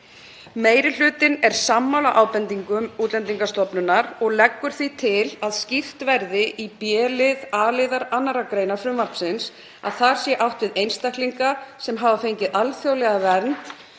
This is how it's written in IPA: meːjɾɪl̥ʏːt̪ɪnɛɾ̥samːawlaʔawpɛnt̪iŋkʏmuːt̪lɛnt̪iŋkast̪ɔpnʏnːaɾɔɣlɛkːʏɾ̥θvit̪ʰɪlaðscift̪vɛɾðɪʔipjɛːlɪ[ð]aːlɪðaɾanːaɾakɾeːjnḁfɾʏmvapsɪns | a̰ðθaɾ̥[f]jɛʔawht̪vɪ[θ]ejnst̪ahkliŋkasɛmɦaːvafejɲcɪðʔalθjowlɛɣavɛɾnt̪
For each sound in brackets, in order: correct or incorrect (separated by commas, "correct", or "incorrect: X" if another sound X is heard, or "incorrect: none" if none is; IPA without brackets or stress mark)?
correct, incorrect: s, incorrect: ð